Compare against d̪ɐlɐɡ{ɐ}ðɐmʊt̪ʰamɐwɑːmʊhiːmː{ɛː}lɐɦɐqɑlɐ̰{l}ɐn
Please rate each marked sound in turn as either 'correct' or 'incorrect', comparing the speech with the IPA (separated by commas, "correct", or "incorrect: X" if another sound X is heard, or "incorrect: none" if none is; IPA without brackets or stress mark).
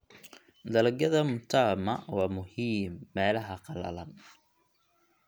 correct, correct, correct